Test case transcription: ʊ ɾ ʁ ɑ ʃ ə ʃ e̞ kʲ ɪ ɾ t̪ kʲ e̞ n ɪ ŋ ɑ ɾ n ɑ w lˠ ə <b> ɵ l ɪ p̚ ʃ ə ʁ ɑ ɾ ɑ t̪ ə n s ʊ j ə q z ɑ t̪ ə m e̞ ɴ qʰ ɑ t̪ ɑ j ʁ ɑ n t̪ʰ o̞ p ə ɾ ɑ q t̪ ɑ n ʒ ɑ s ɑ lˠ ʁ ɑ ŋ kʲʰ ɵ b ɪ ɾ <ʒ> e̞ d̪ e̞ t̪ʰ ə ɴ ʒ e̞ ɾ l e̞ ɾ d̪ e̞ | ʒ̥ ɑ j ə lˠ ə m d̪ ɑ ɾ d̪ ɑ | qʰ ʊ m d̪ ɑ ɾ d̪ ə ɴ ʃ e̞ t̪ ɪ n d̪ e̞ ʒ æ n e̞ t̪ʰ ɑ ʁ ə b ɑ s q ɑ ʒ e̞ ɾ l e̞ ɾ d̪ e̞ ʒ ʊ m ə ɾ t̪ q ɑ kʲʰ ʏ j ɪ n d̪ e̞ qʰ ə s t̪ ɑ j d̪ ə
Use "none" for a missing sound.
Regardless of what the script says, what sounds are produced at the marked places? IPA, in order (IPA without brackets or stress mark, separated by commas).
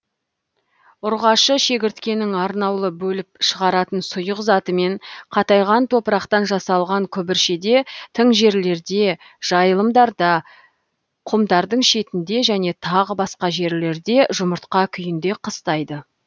b, ʃ